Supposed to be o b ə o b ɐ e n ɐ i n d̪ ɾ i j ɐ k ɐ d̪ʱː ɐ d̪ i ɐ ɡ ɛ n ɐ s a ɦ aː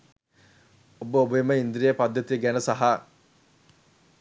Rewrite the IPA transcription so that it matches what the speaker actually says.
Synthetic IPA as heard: o b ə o b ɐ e m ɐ i n d̪ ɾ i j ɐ p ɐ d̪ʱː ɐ t̪ i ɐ ɡ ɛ n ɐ s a ɦ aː